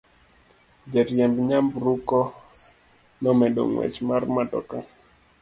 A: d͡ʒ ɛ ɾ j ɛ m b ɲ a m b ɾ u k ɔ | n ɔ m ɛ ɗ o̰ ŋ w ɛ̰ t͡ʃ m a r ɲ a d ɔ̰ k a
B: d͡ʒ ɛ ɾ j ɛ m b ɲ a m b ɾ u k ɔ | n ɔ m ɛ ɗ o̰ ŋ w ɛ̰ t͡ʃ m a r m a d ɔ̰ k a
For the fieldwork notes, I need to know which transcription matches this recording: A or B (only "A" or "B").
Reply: B